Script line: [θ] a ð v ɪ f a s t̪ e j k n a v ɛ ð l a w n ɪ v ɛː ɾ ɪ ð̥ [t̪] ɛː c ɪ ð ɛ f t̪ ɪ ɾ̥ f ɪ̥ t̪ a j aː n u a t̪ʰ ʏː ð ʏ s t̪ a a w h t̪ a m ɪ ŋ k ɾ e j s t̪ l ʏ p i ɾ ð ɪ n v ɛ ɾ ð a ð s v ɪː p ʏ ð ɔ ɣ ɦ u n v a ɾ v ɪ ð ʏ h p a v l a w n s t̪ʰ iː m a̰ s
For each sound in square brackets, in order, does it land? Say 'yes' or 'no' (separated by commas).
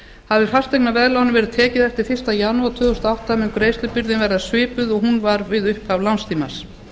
no, no